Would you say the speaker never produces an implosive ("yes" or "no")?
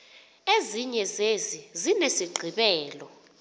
no